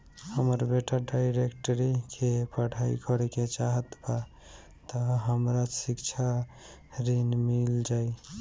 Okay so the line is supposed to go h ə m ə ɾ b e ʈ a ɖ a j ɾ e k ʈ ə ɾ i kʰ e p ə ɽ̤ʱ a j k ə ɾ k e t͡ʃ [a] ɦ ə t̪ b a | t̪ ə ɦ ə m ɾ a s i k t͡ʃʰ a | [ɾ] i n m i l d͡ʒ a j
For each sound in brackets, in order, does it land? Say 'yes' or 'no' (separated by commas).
yes, yes